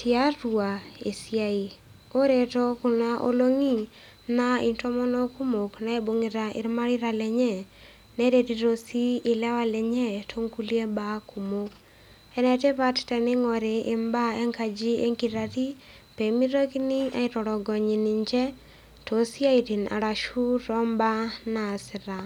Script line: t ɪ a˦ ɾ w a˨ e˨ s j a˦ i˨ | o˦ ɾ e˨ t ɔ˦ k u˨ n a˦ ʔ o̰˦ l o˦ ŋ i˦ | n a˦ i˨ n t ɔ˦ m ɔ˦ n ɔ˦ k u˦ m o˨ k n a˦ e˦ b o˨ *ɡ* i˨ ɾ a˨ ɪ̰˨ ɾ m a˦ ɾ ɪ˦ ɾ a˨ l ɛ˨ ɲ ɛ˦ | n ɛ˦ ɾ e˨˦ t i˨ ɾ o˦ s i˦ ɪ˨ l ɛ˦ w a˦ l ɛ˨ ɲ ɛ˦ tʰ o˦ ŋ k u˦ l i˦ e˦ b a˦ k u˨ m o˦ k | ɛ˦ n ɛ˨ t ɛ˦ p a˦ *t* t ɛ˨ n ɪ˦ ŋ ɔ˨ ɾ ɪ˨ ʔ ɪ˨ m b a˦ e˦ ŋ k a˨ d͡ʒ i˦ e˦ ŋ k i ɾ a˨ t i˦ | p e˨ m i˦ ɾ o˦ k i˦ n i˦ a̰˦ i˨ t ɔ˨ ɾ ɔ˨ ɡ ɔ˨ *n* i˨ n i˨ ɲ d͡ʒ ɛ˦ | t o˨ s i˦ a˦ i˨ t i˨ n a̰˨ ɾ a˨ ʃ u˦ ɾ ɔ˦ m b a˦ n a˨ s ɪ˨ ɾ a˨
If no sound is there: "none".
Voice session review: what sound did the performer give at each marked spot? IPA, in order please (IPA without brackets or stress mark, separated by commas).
ŋ, t, ɲ